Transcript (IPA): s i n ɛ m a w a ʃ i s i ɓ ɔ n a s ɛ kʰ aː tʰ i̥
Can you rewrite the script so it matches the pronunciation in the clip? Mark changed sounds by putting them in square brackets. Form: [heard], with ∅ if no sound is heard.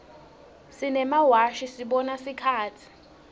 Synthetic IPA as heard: s i n ɛ m a w a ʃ i s i ɓ ɔ n a s [i] kʰ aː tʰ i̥